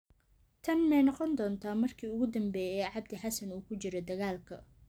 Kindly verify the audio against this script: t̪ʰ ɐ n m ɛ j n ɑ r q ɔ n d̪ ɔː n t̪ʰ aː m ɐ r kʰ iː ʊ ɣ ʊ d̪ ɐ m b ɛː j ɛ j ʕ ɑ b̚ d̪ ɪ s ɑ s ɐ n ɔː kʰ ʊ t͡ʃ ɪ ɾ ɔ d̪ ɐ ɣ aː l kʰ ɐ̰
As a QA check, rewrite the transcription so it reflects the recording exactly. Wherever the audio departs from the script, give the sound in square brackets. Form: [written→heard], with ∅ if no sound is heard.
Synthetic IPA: t̪ʰ ɐ n m ɛ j n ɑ [r→∅] q ɔ n d̪ ɔː n t̪ʰ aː m ɐ r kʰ iː ʊ ɣ ʊ d̪ ɐ m b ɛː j ɛ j ʕ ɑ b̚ d̪ ɪ [s→ħ] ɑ s ɐ n [ɔː→uː] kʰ ʊ t͡ʃ ɪ ɾ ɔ d̪ ɐ ɣ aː l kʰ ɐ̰